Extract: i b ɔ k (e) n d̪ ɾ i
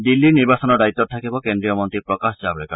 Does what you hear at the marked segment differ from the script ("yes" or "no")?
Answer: no